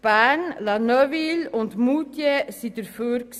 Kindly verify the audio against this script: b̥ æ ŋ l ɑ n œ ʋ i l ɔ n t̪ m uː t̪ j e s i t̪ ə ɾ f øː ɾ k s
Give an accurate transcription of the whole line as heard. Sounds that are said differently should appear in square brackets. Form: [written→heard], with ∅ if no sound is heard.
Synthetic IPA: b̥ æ [ŋ→n] l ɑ n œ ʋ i l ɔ n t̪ m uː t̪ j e s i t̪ ə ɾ f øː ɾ k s